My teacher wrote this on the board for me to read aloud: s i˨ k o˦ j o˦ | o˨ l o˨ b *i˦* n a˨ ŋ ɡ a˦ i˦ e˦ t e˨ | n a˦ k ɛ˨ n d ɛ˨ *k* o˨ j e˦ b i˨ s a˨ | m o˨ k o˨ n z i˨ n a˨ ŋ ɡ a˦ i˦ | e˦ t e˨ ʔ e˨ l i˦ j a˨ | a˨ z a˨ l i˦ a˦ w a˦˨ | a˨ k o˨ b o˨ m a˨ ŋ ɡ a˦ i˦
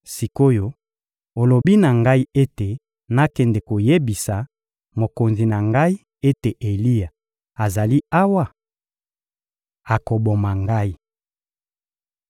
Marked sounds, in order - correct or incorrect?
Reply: correct, correct

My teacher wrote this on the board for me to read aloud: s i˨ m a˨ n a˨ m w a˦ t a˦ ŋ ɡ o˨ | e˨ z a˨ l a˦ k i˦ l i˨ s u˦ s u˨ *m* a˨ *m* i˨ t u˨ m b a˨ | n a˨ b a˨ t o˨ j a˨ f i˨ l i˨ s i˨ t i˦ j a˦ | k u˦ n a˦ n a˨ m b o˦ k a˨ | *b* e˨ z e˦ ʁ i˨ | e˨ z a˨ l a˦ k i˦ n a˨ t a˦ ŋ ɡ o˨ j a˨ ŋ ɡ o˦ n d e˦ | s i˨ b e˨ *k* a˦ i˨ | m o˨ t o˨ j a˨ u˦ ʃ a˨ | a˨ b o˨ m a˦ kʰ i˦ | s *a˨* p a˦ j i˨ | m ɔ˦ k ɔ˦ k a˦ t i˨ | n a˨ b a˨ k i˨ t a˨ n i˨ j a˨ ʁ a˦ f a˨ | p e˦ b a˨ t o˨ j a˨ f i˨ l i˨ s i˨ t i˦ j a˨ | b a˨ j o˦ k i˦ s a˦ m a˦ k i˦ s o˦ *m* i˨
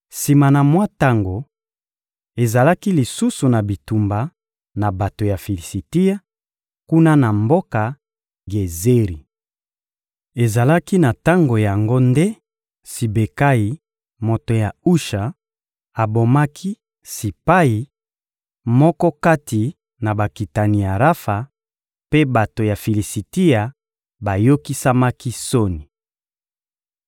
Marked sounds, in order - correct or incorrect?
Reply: incorrect, incorrect, incorrect, correct, incorrect, incorrect

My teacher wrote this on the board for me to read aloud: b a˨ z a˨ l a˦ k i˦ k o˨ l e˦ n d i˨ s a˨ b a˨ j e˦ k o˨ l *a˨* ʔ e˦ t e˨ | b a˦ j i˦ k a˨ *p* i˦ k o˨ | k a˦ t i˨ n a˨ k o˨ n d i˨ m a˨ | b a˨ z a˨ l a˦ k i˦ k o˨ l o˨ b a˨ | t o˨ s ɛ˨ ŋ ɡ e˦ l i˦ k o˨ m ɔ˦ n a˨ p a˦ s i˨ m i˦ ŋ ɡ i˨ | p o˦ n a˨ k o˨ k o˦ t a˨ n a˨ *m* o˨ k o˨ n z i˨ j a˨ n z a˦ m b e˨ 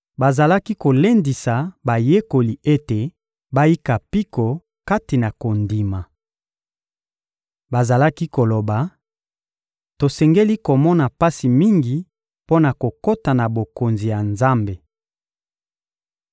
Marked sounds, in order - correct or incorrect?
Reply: incorrect, correct, incorrect

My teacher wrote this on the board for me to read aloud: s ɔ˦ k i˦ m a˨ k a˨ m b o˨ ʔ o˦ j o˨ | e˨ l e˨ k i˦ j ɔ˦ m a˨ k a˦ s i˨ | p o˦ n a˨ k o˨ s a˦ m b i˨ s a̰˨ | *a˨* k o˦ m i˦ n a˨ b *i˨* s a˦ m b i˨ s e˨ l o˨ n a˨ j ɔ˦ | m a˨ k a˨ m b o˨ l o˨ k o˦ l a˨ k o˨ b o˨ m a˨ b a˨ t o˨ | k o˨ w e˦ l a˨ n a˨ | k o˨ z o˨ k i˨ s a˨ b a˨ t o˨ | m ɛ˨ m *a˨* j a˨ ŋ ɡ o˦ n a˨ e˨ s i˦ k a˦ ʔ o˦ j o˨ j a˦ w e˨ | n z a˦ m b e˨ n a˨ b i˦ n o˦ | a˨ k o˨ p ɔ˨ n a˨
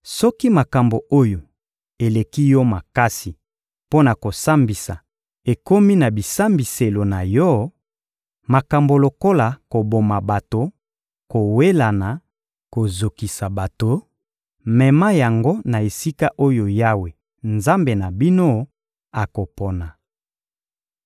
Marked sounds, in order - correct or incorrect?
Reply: incorrect, correct, incorrect

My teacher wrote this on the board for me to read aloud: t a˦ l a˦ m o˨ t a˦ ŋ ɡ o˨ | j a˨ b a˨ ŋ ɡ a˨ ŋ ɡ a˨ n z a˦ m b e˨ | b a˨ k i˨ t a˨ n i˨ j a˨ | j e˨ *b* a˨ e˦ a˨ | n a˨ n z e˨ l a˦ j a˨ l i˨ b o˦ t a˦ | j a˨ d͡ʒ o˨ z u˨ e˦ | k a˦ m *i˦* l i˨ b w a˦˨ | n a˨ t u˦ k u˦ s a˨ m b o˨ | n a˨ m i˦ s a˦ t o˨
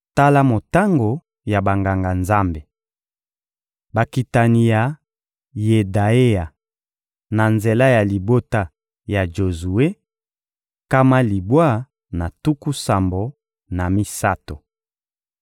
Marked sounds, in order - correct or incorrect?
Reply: incorrect, incorrect

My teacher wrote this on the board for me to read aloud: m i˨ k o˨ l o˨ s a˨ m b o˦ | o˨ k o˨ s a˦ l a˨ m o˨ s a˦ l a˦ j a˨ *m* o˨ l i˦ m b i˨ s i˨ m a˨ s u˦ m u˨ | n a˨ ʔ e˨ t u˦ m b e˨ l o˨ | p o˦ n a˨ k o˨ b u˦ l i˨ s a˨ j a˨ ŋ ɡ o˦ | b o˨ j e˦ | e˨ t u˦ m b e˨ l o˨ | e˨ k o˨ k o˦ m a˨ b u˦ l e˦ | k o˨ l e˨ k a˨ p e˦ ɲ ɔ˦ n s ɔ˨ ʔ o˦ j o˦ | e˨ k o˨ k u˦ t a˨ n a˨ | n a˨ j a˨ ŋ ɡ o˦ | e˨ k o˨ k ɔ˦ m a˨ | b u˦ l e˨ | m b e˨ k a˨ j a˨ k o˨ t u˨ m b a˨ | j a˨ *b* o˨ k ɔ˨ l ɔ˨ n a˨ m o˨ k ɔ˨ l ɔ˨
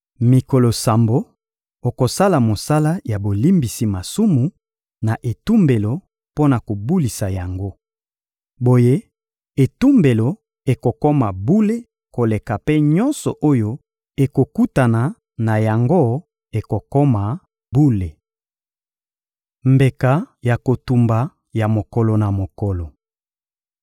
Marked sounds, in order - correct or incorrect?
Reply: incorrect, incorrect

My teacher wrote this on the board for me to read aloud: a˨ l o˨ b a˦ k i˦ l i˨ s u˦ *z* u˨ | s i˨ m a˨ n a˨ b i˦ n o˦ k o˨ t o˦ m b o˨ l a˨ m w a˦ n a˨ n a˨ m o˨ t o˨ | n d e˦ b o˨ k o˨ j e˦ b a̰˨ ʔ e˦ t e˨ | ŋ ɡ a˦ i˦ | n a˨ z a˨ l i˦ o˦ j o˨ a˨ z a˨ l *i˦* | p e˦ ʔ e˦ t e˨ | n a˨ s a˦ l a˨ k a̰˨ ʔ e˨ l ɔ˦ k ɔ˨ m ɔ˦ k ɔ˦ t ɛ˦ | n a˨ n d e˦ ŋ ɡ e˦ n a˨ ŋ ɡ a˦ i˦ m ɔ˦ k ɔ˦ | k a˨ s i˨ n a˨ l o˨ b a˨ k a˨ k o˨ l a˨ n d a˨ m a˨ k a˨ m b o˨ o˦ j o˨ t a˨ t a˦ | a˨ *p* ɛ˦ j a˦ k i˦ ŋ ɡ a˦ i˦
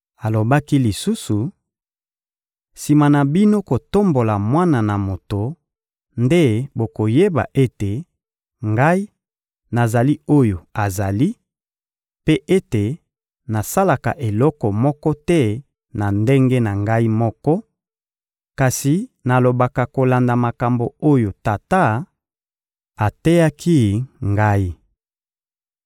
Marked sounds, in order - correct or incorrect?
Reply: incorrect, correct, incorrect

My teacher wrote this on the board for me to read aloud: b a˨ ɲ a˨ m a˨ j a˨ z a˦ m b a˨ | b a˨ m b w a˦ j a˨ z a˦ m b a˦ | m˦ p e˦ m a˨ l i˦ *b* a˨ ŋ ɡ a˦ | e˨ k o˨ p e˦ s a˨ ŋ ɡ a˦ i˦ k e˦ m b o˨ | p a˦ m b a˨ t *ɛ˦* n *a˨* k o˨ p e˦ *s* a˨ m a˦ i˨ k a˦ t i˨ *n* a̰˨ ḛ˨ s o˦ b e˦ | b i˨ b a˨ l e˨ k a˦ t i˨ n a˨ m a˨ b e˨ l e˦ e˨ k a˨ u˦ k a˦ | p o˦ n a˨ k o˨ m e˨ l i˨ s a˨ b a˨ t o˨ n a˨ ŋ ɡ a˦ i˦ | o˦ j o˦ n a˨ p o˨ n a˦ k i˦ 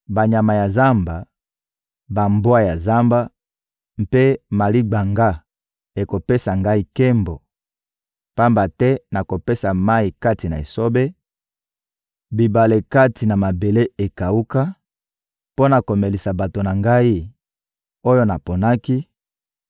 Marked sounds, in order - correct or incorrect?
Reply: incorrect, correct, correct, correct, correct

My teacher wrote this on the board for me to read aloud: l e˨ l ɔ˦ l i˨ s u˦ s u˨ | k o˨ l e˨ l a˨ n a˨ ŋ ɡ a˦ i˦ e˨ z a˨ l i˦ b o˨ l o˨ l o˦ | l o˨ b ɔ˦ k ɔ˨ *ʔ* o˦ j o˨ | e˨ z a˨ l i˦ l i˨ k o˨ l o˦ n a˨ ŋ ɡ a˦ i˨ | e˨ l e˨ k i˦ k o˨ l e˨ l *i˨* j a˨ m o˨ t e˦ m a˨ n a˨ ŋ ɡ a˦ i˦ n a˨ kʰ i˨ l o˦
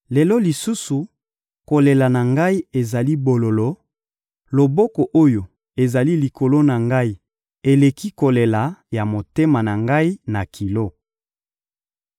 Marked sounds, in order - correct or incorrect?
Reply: correct, incorrect

